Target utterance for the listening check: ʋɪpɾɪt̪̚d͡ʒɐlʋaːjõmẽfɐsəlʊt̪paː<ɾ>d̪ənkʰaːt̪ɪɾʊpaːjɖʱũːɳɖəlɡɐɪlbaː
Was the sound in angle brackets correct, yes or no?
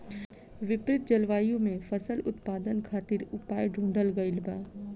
no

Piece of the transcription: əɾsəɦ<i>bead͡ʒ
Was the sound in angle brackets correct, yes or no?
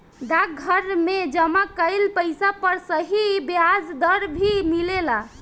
yes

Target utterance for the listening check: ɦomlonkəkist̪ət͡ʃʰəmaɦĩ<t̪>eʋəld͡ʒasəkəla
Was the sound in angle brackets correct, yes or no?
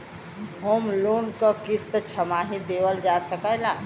no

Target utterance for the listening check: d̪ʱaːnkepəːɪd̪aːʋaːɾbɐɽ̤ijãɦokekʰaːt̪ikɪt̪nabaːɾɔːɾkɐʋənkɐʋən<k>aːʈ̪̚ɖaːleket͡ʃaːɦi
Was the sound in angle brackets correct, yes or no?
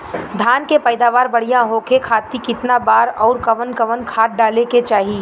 no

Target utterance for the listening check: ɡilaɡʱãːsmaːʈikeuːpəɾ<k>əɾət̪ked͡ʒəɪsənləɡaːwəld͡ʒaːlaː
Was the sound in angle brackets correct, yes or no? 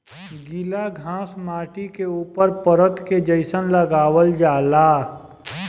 no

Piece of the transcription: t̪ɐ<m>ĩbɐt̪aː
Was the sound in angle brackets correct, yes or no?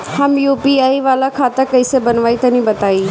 no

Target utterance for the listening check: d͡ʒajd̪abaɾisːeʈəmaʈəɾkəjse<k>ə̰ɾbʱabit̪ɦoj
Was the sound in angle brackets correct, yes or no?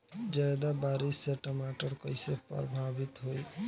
no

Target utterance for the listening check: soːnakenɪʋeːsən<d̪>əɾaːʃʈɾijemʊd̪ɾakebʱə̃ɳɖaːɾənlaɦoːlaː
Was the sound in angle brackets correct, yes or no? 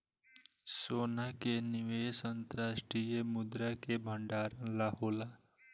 no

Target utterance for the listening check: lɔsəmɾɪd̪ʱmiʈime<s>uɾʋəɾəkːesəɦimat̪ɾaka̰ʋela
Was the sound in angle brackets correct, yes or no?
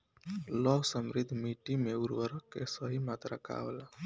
no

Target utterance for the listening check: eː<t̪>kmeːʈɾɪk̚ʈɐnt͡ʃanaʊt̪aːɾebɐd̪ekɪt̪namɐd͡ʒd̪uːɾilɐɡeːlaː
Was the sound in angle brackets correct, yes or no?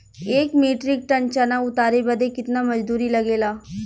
no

